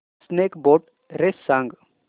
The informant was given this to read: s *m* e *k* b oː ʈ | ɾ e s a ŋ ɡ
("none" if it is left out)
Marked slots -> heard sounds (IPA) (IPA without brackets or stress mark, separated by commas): n, k